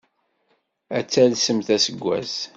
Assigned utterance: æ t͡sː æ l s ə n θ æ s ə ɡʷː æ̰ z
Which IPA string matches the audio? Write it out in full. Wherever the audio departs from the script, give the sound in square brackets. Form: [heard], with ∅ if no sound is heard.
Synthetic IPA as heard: æ t͡sː æ l s ə [m] θ æ s ə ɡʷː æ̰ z